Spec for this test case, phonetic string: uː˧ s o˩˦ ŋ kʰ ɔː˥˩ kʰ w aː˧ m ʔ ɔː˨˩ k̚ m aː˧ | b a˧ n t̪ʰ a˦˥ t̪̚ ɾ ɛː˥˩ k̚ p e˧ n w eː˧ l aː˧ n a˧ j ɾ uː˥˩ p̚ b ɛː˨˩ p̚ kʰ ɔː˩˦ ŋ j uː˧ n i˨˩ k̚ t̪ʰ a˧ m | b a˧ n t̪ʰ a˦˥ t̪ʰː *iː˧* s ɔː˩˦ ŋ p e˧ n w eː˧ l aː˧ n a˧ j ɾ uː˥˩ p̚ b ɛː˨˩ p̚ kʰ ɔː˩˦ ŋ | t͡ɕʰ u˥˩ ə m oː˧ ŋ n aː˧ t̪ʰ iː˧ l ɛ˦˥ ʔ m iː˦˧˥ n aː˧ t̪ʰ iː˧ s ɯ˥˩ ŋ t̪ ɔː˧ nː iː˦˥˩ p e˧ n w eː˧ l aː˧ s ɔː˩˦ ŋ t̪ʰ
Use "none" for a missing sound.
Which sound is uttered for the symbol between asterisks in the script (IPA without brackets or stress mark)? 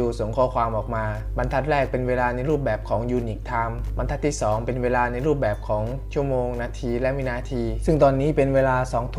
iː˥˩